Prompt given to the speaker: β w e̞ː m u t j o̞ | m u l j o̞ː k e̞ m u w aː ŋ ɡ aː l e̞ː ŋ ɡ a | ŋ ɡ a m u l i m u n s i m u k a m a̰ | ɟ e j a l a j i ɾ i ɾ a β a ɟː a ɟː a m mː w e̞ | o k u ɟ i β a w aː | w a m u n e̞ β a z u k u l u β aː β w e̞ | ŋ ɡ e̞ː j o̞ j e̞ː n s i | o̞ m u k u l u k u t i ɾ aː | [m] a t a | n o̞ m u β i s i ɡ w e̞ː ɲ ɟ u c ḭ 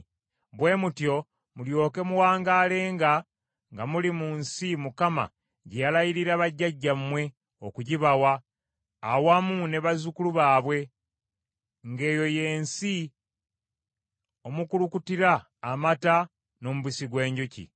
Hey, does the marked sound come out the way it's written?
yes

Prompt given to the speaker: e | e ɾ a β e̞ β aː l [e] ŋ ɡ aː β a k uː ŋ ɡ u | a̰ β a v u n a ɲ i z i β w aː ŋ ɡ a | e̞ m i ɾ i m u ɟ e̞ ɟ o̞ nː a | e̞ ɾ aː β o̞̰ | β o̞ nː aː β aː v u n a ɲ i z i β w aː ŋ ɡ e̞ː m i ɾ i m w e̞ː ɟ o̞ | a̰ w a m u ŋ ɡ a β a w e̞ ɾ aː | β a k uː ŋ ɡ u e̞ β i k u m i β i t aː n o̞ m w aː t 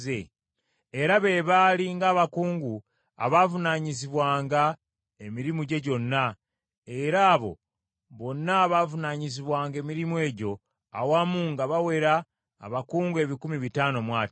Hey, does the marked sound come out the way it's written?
no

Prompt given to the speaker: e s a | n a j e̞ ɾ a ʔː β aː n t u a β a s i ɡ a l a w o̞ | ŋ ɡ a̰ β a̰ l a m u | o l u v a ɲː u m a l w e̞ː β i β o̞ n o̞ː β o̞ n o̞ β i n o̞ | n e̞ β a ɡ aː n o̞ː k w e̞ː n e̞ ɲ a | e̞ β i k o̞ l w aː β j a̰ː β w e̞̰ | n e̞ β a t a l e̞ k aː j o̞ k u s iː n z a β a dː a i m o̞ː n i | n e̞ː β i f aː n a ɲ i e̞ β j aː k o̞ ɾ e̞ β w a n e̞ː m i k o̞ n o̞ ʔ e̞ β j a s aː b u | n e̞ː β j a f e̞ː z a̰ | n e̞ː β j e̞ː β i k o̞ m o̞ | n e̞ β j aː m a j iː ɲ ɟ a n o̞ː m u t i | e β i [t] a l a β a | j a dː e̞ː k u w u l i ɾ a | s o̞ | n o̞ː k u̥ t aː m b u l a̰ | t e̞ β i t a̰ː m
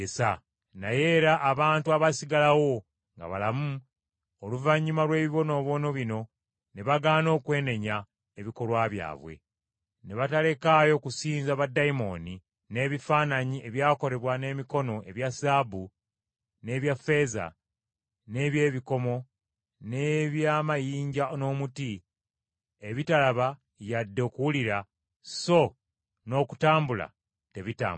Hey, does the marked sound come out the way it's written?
yes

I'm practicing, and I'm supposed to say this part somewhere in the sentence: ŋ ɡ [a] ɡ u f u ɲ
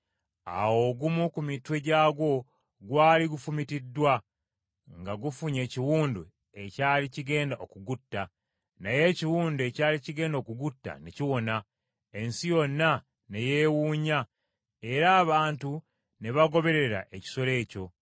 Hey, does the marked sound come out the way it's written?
yes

